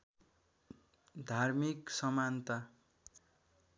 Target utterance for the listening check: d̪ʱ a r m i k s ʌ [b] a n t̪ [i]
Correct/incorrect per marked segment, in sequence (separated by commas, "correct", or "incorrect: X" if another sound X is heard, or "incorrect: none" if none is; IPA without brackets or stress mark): incorrect: m, incorrect: a